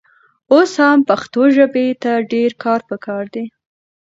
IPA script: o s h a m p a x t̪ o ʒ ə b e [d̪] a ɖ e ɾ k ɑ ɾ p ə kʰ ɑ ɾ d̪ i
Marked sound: incorrect: t̪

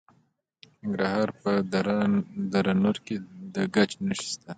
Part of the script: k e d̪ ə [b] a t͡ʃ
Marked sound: incorrect: ɡ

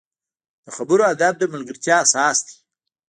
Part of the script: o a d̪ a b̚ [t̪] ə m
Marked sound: incorrect: d̪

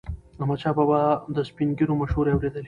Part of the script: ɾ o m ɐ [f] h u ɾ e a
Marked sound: incorrect: ʃ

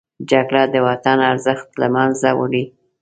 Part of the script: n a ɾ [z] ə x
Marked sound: correct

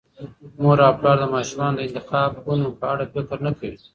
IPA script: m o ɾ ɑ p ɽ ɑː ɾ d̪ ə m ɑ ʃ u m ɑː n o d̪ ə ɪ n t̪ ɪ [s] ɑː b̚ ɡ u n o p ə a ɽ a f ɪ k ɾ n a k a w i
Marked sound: incorrect: x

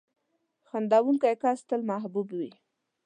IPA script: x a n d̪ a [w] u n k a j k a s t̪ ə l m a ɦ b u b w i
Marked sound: correct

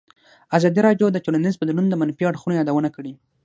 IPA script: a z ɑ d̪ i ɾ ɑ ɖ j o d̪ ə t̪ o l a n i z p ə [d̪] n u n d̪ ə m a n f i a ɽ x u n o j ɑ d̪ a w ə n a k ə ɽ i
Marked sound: correct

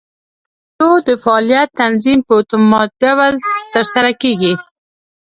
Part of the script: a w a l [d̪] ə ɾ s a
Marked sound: incorrect: t̪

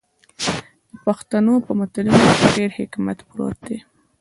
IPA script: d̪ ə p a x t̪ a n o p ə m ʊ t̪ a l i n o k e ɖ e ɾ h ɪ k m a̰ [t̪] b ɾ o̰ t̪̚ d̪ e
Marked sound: correct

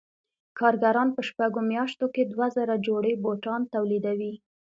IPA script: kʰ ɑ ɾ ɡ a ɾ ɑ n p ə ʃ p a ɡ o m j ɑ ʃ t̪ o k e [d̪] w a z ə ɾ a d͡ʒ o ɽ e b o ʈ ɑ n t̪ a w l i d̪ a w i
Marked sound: correct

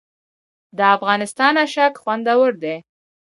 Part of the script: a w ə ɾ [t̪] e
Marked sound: incorrect: d̪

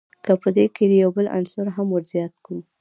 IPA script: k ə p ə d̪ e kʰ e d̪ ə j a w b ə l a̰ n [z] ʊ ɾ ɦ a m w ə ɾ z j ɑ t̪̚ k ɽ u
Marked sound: incorrect: s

